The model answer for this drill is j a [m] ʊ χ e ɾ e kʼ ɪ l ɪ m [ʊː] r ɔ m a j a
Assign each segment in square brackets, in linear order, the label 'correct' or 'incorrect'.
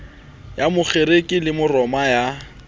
correct, incorrect

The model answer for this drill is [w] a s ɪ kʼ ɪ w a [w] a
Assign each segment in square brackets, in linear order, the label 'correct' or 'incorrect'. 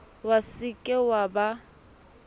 correct, incorrect

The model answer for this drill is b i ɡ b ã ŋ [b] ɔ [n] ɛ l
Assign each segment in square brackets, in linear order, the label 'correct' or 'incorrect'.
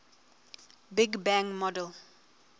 incorrect, incorrect

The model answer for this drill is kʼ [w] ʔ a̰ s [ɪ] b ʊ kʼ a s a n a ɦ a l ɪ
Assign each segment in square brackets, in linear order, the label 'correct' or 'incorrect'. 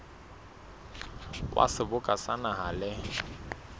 correct, correct

